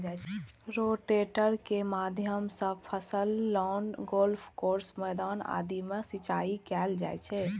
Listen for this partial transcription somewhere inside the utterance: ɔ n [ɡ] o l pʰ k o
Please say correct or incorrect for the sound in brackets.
correct